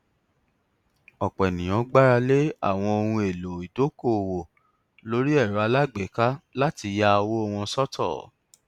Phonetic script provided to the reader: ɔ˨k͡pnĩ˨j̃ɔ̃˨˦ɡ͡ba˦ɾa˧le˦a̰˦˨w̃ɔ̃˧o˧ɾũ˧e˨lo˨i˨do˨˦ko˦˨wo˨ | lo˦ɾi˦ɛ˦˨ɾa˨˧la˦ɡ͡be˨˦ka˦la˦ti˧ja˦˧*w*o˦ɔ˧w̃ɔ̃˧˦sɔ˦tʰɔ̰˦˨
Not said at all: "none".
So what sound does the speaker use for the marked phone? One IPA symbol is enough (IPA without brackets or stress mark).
w